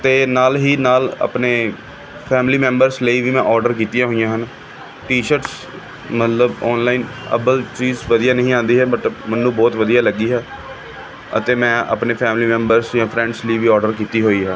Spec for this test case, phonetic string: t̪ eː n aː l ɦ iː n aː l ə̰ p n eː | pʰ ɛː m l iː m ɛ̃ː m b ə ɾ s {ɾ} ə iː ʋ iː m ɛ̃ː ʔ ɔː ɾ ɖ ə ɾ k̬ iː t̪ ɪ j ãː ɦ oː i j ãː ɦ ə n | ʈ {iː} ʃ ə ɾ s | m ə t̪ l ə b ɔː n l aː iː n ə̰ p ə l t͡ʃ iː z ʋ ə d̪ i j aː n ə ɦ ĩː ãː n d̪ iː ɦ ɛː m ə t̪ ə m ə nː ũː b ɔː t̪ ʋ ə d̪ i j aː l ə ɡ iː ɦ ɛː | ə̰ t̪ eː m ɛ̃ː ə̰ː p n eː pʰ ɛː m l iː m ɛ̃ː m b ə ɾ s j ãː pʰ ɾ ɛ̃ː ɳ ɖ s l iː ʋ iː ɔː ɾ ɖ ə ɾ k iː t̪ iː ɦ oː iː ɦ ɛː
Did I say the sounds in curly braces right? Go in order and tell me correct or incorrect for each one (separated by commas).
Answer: incorrect, correct